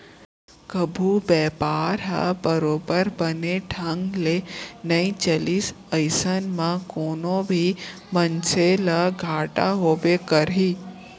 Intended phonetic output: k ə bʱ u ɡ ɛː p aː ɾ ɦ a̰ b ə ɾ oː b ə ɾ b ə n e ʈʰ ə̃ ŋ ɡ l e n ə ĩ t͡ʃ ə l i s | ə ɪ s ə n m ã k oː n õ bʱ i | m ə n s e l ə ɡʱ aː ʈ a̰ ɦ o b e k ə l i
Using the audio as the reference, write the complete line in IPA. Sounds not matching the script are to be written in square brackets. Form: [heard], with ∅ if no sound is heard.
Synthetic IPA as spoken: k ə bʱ u [b] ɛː p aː ɾ ɦ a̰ b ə ɾ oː b ə ɾ b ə n e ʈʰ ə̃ ŋ ɡ l e n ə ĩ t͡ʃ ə l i s | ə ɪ s ə n m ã k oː n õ bʱ i | m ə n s e l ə ɡʱ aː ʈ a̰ ɦ o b e k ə [ɾ] i